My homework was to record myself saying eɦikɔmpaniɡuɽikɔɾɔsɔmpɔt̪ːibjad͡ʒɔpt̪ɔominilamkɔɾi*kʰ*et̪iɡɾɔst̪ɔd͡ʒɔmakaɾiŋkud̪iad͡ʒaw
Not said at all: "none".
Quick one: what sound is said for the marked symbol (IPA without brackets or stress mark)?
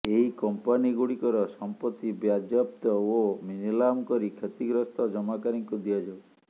kʰ